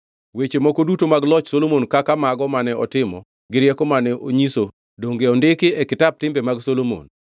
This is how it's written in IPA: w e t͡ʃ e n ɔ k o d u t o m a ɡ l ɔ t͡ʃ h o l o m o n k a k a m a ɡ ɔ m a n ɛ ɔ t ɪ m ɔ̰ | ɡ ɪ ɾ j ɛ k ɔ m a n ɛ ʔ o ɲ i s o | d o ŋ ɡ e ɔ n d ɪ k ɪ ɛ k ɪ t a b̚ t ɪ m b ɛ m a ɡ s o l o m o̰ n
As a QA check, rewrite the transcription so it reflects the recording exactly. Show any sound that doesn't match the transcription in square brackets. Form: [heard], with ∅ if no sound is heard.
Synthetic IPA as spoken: w e t͡ʃ e [m] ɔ k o d u t o m a ɡ l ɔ t͡ʃ [s] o l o m o n k a k a m a ɡ ɔ m a n ɛ ɔ t ɪ m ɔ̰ | ɡ ɪ ɾ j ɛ k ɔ m a n ɛ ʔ o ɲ i s o | d o ŋ ɡ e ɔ n d ɪ k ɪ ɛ k ɪ t a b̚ t ɪ m b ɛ m a ɡ s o l o m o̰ n